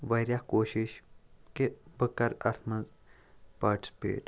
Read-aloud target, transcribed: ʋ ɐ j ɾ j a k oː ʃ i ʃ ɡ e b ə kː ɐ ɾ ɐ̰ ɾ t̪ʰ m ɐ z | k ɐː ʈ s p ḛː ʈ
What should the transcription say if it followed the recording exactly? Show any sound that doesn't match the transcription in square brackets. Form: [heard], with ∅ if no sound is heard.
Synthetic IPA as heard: ʋ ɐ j ɾ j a k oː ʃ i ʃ [k] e b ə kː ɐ ɾ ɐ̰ ɾ t̪ʰ m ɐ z | [p] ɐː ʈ s p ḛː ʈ

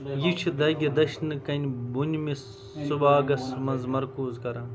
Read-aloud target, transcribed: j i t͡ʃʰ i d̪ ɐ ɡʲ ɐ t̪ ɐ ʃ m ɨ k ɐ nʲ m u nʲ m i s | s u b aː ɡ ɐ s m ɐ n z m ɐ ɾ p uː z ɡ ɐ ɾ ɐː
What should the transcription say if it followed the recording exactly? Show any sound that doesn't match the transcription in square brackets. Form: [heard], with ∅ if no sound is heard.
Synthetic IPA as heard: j i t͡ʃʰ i d̪ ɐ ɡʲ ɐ [d̪] ɐ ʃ [n] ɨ k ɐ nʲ [b] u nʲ m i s | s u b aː ɡ ɐ s m ɐ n z m ɐ ɾ [k] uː z [k] ɐ ɾ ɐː

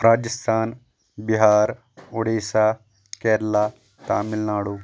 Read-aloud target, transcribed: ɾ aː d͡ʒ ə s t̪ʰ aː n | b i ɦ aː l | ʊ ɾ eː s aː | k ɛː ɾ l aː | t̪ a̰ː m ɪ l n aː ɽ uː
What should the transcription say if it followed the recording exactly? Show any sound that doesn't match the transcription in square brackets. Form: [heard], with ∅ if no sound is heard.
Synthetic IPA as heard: ɾ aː d͡ʒ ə s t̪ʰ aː n | b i ɦ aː [ɾ] | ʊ [ɽ] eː s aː | k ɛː ɾ l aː | t̪ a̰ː m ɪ l n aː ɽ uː

